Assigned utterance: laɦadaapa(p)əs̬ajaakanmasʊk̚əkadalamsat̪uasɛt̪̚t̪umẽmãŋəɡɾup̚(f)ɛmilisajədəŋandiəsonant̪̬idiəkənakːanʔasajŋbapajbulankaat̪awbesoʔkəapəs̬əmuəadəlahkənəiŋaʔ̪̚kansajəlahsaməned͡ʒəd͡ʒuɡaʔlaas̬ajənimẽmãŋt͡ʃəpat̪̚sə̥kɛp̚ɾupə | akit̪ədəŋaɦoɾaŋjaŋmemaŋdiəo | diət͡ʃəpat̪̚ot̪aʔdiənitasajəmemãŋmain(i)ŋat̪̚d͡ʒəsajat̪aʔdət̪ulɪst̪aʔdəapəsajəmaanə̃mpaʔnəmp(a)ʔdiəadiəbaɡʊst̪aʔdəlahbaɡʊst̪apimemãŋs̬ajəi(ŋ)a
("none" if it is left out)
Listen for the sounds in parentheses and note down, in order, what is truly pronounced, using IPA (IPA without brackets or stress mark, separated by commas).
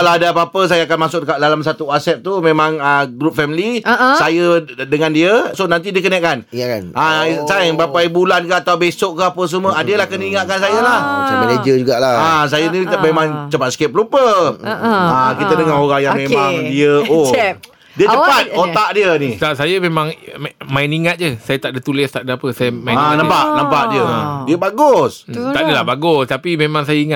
p, f, i, a, ŋ